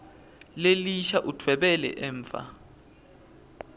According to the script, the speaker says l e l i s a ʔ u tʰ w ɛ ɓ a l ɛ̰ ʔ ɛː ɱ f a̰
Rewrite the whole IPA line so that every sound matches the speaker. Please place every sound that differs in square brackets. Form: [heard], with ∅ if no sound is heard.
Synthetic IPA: l e l i [ʃ] a ʔ u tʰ w ɛ ɓ [ɛ] l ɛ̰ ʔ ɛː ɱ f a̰